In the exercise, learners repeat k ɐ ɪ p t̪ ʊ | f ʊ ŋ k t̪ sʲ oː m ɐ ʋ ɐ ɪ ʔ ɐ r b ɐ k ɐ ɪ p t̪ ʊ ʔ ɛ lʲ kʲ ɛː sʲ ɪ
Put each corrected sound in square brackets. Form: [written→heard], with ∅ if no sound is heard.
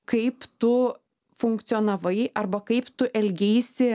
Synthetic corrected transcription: k ɐ ɪ p t̪ ʊ | f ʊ ŋ k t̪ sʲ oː [m→n] ɐ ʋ ɐ ɪ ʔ ɐ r b ɐ k ɐ ɪ p t̪ ʊ ʔ ɛ lʲ [kʲ→ɡʲ] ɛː sʲ ɪ